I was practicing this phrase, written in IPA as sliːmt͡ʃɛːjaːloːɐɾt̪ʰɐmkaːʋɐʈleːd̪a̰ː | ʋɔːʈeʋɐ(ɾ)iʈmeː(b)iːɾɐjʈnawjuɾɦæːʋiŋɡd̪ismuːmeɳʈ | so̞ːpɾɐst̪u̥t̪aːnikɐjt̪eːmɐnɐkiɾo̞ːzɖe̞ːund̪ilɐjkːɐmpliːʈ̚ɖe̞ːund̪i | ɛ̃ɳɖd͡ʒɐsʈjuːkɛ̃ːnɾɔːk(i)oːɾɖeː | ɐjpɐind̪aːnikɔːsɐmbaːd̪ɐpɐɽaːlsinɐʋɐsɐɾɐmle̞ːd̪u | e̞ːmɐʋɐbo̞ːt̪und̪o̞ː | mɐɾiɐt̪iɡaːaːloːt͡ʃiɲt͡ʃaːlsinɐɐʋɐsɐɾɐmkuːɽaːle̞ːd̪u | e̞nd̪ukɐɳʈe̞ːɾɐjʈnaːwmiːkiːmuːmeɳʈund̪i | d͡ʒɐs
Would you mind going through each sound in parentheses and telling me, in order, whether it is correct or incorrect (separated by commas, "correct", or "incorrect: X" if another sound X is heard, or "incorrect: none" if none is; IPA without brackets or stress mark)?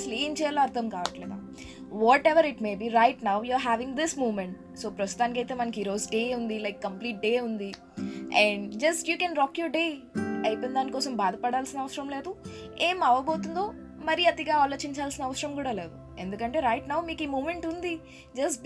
correct, correct, incorrect: j